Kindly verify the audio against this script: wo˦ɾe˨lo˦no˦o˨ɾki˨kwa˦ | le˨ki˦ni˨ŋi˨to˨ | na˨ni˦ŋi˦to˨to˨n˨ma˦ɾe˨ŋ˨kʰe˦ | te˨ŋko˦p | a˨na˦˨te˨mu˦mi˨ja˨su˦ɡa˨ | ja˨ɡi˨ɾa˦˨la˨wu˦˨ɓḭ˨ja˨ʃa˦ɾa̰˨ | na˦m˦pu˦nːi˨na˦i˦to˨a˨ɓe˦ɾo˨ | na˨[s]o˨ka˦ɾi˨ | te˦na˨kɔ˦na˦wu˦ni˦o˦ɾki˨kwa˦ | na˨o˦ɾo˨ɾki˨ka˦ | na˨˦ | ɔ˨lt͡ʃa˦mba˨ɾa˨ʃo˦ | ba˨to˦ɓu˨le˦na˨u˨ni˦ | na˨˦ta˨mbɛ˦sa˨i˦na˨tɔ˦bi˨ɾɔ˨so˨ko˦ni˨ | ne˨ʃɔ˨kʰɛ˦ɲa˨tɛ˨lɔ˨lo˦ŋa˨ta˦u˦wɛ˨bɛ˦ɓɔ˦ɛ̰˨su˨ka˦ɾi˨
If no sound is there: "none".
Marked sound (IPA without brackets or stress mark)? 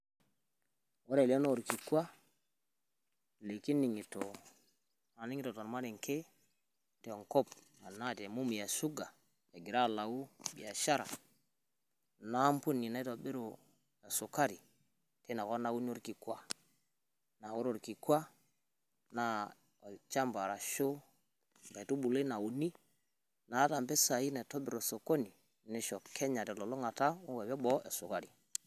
s